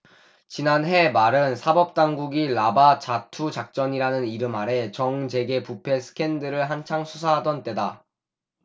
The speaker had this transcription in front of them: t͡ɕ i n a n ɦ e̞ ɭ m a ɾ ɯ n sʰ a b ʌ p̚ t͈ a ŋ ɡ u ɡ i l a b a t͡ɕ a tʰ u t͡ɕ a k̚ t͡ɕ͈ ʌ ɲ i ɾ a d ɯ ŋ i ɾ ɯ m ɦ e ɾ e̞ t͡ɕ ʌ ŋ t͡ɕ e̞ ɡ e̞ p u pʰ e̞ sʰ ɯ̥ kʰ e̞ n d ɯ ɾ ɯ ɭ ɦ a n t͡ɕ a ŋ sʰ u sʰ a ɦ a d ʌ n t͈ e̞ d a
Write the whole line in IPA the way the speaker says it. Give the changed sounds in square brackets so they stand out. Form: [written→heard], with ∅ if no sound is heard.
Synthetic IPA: t͡ɕ i n a n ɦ e̞ [ɭ→∅] m a ɾ ɯ n sʰ a b ʌ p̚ t͈ a ŋ ɡ u ɡ i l a b a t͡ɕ a tʰ u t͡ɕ a k̚ t͡ɕ͈ ʌ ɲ i ɾ a [d→n] ɯ [ŋ→n] i ɾ ɯ m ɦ [e→a] ɾ e̞ t͡ɕ ʌ ŋ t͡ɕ e̞ ɡ e̞ p u pʰ e̞ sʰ ɯ̥ kʰ e̞ n d ɯ ɾ ɯ ɭ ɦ a n [t͡ɕ→t͡ɕʰ] a ŋ sʰ u sʰ a ɦ a d ʌ n t͈ e̞ d a

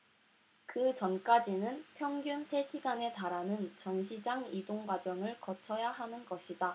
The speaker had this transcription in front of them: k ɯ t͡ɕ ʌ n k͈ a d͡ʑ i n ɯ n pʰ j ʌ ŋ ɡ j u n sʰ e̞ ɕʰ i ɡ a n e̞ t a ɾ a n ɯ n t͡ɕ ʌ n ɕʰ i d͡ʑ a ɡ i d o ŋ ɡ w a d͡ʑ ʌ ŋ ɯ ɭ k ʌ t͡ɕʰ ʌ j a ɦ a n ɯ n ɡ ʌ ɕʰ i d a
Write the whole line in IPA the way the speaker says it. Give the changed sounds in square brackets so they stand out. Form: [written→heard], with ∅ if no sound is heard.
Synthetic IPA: k ɯ t͡ɕ ʌ n k͈ a d͡ʑ i n ɯ n pʰ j ʌ ŋ ɡ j u n sʰ e̞ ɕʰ i ɡ a n e̞ t a ɾ a n ɯ n t͡ɕ ʌ n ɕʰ i d͡ʑ a [ɡ→ŋ] i d o ŋ ɡ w a d͡ʑ ʌ ŋ ɯ ɭ k ʌ t͡ɕʰ ʌ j a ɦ a n ɯ n ɡ ʌ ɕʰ i d a

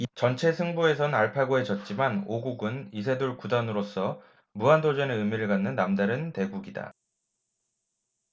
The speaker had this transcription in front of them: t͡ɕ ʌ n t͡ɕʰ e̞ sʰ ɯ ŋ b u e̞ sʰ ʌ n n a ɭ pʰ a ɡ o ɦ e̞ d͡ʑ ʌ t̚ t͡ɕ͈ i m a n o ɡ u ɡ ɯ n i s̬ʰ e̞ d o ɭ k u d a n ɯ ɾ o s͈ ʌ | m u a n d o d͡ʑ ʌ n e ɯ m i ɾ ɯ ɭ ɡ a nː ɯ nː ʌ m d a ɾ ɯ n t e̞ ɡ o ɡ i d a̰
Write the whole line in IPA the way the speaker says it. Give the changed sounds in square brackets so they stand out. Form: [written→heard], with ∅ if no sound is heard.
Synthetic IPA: t͡ɕ ʌ n t͡ɕʰ e̞ sʰ ɯ ŋ b u e̞ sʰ ʌ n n a ɭ pʰ a ɡ o ɦ e̞ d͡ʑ ʌ t̚ t͡ɕ͈ i m a n o ɡ u ɡ ɯ n i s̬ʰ e̞ d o ɭ k u d a n ɯ ɾ o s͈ ʌ | m u a n d o d͡ʑ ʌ n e ɯ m i ɾ ɯ ɭ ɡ a nː ɯ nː [ʌ→a] m d a ɾ ɯ n t e̞ ɡ [o→u] ɡ i d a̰

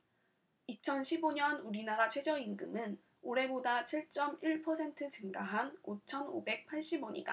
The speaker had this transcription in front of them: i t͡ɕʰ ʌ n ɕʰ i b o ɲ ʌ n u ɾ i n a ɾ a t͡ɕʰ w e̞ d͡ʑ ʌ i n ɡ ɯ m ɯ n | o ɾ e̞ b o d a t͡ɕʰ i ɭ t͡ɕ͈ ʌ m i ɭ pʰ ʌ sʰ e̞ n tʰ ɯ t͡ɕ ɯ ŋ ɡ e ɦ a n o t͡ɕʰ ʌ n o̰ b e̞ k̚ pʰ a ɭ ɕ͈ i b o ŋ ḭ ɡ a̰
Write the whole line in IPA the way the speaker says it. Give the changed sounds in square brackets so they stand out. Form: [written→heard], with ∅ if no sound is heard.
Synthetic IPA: i t͡ɕʰ ʌ n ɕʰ i b o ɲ ʌ n u ɾ i n a ɾ a t͡ɕʰ w e̞ d͡ʑ ʌ i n ɡ ɯ m ɯ n | o ɾ e̞ b o d a t͡ɕʰ i ɭ t͡ɕ͈ ʌ m i ɭ pʰ ʌ sʰ e̞ n tʰ ɯ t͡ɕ ɯ ŋ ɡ [e→a] ɦ a n o t͡ɕʰ ʌ n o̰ b e̞ k̚ pʰ a ɭ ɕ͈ i b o [ŋ→ɲ] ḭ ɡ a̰

